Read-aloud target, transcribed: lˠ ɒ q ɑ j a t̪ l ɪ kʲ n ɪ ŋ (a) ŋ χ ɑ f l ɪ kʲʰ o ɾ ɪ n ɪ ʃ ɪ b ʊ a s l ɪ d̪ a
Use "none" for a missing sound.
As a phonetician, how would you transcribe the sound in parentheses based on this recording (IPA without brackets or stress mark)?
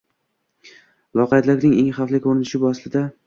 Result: e